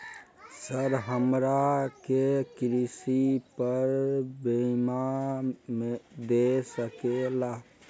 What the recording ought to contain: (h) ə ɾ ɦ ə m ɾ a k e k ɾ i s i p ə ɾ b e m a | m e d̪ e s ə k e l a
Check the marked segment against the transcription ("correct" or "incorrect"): incorrect